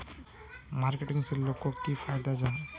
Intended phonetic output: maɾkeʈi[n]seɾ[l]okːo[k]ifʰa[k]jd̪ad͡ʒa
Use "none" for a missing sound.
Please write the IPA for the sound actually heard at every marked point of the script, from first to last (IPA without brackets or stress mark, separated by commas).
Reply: ŋ, l, k, none